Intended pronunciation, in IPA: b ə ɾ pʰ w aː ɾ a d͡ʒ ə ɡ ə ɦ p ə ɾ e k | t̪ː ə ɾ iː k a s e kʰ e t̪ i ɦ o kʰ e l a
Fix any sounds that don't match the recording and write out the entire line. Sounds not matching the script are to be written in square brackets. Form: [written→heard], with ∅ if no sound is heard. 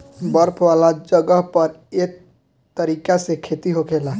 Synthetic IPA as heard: b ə ɾ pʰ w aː [ɾ→l] a d͡ʒ ə ɡ ə ɦ p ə ɾ e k | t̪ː ə ɾ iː k a s e kʰ e t̪ i ɦ o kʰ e l a